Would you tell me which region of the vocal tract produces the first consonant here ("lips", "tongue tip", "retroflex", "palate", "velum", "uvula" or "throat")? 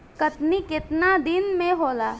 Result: velum